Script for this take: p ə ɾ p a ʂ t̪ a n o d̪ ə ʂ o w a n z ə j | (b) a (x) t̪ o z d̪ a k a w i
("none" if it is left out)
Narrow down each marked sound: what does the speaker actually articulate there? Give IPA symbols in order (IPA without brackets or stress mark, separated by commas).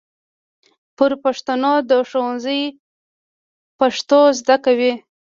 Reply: p, ʂ